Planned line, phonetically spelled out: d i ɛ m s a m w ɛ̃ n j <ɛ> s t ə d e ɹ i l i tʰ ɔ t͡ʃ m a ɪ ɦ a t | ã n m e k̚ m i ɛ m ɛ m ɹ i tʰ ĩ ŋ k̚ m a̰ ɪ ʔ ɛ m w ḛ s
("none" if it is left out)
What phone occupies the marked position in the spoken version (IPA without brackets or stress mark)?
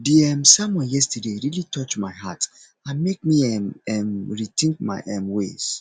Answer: ɛ